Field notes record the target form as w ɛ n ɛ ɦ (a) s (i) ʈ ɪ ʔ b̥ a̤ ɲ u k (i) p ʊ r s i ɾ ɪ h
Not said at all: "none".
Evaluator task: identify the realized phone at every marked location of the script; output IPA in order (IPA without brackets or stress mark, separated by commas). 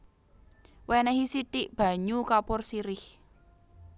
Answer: i, i, a